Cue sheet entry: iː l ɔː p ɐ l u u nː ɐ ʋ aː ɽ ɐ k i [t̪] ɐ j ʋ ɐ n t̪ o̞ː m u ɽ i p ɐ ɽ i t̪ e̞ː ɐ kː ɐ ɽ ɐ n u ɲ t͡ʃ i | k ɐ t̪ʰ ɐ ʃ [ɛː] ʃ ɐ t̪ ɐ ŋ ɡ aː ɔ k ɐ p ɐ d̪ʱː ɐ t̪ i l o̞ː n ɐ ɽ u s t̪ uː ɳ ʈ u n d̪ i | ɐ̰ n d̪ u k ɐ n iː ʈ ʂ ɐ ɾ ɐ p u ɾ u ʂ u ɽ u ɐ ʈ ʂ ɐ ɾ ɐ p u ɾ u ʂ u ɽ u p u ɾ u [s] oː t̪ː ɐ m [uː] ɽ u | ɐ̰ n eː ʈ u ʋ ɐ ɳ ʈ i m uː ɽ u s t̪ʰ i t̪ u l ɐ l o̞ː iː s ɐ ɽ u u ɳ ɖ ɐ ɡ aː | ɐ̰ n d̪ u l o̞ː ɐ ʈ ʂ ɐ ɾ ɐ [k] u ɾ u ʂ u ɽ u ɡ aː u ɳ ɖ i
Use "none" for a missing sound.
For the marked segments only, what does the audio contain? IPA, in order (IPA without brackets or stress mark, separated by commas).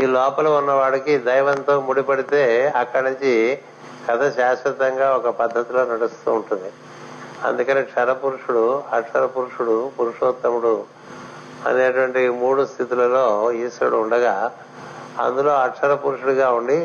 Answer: d̪, aː, ʂ, u, p